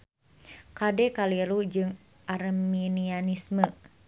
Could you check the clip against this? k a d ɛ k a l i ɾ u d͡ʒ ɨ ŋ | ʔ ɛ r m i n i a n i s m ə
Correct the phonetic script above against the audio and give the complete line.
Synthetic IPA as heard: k a d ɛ k a l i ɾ u d͡ʒ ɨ ŋ | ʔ a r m i n i a n i s m ə